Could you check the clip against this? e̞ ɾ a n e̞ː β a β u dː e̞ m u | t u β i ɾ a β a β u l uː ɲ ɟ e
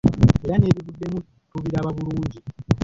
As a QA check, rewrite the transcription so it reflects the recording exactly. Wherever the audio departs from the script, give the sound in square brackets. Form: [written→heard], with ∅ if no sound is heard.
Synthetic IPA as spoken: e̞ ɾ a n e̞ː β [a→i] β u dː e̞ m u | t u β i ɾ a β a β u l uː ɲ ɟ [e→i]

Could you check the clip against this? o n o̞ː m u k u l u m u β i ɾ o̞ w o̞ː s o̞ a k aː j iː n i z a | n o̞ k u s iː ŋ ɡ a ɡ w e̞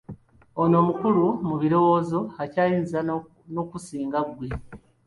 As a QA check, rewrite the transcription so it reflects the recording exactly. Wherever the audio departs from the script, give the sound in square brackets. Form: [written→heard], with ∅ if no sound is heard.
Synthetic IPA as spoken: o n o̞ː m u k u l u m u β i ɾ o̞ w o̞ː [s→z] o̞ a [k→c] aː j iː n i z a | n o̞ k u s iː ŋ ɡ a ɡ w e̞

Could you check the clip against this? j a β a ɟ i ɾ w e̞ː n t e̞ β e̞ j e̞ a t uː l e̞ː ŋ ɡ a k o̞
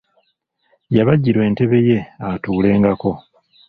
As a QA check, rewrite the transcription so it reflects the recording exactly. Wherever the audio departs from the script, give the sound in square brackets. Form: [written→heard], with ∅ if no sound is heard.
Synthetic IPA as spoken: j a β a ɟ i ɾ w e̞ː n t e̞ β e̞ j e̞ a t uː l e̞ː ŋ ɡ a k o̞

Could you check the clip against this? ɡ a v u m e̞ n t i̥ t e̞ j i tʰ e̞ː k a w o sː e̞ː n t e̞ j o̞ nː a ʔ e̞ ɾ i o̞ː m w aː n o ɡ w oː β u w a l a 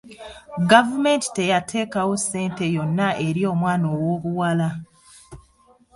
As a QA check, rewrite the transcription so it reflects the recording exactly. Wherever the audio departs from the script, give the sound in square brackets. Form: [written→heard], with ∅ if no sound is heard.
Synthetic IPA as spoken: ɡ a v u m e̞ n t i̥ t e̞ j [i→a] tʰ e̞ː k a w o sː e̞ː n t e̞ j o̞ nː a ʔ e̞ ɾ i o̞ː m w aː n o [ɡ→∅] w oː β u w a l a

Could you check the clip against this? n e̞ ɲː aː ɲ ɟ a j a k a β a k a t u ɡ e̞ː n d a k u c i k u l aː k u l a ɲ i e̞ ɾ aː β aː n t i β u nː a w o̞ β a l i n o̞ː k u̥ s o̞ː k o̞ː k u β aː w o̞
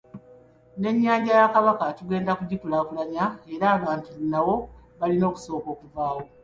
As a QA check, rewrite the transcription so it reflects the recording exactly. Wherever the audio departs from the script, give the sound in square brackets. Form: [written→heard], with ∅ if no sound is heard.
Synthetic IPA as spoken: n e̞ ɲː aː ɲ ɟ a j a k a β a k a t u ɡ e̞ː n d a k u [c→ɟ] i k u l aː k u l a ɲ [i→a] e̞ ɾ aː β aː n t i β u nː a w o̞ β a l i n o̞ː k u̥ s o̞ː k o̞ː k u [β→v] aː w o̞

